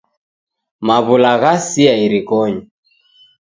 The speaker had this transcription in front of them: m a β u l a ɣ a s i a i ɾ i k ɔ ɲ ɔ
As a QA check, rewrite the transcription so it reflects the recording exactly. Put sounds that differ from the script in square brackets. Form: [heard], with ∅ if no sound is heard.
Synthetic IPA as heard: m a β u l a ɣ a s i a i ɾ i k ɔ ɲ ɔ